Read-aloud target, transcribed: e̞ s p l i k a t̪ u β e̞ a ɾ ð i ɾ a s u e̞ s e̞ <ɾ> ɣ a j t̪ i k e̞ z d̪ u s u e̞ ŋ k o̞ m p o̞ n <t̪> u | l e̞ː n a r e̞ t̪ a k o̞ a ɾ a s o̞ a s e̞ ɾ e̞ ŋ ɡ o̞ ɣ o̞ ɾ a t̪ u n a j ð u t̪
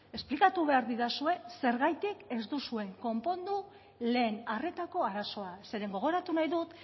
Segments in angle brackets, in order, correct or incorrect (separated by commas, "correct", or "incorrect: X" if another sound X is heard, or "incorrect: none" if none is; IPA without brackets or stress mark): correct, incorrect: d̪